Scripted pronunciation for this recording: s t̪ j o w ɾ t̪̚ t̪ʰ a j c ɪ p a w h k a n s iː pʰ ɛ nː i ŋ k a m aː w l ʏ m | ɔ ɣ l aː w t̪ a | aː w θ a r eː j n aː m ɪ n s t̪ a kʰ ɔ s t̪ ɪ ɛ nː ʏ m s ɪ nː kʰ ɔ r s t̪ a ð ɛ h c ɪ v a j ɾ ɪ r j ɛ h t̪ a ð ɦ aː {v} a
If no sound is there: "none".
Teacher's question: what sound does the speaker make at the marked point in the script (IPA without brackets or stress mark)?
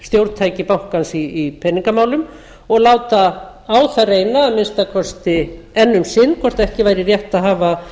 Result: v